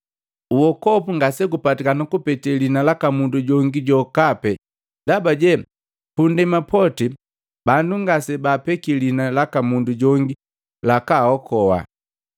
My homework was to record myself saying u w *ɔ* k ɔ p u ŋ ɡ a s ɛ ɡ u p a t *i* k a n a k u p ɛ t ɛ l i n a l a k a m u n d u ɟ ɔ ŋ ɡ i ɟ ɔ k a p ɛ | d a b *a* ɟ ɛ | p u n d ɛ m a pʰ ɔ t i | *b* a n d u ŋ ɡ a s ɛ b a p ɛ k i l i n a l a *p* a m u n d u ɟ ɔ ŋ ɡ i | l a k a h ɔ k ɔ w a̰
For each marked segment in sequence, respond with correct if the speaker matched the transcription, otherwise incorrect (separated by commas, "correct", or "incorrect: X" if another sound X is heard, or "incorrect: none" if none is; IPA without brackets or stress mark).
correct, correct, correct, correct, incorrect: k